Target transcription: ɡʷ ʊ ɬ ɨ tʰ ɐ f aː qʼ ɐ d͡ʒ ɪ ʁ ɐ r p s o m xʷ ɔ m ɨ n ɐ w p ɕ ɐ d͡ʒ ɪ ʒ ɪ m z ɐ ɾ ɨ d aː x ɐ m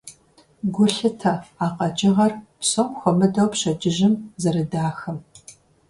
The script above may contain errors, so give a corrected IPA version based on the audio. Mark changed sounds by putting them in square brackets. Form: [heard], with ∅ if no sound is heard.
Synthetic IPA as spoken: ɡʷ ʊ ɬ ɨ tʰ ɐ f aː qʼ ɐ d͡ʒ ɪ ʁ ɐ r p s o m xʷ ɔ m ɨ [d] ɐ w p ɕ ɐ d͡ʒ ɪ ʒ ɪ m z ɐ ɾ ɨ d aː x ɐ m